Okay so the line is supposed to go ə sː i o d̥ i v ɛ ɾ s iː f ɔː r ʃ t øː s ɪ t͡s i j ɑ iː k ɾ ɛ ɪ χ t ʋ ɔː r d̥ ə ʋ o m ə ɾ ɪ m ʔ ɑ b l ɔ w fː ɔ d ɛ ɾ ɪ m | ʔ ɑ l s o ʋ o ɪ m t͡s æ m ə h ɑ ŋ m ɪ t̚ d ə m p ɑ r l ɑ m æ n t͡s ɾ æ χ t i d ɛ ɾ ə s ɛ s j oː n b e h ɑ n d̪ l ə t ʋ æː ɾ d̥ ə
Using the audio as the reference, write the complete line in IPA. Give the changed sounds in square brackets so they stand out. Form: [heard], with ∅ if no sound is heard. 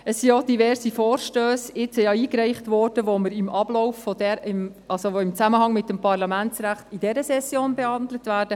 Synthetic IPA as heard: ə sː i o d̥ i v ɛ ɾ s [i] f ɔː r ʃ t øː s ɪ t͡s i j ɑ iː k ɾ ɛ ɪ χ t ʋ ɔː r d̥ ə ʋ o m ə ɾ ɪ m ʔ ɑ b l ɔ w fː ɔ d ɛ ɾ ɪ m | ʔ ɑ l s o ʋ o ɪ m t͡s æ m ə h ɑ ŋ m ɪ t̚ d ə m p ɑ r l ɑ m æ n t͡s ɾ æ χ t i d ɛ ɾ ə s ɛ s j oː n b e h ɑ n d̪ l ə t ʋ æː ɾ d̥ ə